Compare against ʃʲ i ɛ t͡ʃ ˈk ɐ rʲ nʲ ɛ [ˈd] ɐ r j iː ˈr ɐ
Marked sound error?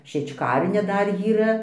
no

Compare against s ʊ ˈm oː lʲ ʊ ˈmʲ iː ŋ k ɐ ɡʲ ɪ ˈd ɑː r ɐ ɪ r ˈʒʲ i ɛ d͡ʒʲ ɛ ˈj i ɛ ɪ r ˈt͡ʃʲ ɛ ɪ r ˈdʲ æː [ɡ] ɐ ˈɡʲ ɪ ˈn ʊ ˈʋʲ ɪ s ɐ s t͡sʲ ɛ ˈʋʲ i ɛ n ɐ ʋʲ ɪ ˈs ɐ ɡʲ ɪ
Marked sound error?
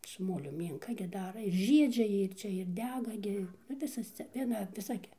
no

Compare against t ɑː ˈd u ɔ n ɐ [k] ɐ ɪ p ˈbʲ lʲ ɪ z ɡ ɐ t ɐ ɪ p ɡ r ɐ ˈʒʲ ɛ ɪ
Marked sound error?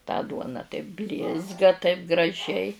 yes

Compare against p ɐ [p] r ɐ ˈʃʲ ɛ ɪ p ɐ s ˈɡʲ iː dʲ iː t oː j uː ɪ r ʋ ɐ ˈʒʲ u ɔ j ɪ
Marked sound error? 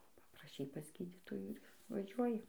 no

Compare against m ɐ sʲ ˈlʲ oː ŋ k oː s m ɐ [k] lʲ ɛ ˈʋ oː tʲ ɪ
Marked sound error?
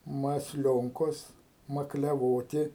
no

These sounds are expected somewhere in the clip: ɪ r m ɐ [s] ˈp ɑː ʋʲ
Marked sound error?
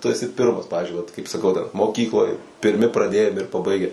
no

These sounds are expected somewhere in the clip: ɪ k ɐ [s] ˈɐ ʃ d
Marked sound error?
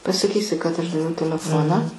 yes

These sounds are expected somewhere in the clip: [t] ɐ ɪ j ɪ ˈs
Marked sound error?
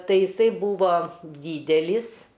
no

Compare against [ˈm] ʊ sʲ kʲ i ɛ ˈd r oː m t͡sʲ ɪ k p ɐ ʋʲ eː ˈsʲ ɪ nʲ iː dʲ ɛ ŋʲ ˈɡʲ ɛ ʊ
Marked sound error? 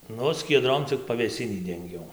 yes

